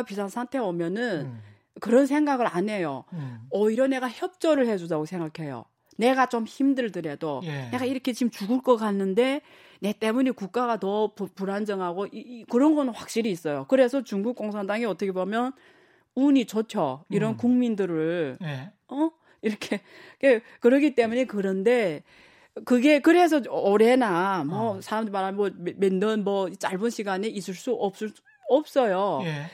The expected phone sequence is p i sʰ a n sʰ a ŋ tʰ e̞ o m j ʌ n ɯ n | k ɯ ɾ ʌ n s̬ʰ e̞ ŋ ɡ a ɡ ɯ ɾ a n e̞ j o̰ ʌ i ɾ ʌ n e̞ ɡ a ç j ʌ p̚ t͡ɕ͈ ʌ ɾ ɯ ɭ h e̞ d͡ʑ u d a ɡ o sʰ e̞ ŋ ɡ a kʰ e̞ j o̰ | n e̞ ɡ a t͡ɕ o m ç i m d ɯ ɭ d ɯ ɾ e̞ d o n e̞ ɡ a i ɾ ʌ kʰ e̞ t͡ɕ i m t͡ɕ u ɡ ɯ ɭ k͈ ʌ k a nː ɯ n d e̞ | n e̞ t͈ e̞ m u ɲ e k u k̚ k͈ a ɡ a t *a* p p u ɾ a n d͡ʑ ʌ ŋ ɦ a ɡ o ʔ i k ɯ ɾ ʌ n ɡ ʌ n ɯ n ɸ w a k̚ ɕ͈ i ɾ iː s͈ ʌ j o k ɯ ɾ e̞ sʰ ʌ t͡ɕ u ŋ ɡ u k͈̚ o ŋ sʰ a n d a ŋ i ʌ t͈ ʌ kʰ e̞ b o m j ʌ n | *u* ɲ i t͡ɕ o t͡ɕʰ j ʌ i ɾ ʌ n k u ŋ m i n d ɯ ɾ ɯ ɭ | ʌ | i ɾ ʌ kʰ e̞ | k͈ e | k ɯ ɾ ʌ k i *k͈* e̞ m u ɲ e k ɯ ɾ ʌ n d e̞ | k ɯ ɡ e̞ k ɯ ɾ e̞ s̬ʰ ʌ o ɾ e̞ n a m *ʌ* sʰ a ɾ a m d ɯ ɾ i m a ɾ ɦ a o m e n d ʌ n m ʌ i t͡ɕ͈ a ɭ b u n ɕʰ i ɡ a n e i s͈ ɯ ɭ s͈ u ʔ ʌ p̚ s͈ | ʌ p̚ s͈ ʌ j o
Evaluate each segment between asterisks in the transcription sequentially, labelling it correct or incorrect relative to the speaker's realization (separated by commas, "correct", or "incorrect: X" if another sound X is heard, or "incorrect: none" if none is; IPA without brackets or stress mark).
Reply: incorrect: ʌ, correct, incorrect: t͈, correct